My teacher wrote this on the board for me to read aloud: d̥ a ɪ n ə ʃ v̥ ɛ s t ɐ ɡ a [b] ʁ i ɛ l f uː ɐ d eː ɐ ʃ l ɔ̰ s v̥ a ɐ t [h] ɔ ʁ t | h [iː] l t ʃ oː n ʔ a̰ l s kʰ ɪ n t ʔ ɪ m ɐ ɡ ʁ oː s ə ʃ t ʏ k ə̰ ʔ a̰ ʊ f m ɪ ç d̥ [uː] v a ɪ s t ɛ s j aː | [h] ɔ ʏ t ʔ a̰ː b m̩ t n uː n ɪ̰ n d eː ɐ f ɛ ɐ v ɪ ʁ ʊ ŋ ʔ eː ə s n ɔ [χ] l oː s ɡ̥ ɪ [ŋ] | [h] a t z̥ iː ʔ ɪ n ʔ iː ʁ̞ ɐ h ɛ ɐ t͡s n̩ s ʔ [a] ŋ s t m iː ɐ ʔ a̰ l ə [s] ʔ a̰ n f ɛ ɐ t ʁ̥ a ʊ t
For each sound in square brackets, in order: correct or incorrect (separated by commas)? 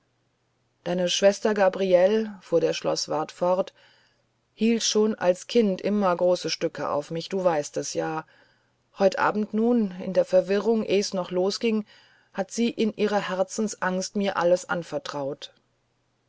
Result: correct, incorrect, correct, correct, correct, correct, correct, correct, correct, correct